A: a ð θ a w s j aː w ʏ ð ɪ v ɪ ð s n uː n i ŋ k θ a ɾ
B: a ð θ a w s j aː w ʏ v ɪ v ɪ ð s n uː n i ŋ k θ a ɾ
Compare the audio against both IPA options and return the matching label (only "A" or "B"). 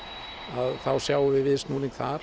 B